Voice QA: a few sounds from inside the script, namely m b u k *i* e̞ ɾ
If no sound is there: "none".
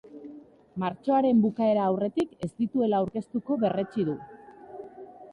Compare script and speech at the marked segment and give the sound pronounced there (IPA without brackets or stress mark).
a